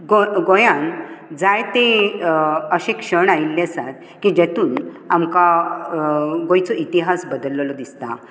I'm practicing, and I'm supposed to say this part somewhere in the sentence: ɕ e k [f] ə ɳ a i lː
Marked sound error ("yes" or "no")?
yes